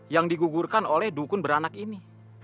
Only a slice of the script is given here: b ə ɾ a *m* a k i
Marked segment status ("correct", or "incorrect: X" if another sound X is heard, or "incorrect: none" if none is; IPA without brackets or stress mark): incorrect: n